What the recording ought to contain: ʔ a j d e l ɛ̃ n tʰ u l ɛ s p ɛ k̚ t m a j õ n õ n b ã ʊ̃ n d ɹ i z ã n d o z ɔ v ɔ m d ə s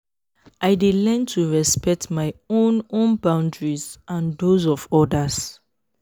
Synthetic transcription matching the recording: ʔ a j d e l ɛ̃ n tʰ u ɹ ɛ s p ɛ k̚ t m a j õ n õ n b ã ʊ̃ n d ɹ i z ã n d o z ɔ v ɔ d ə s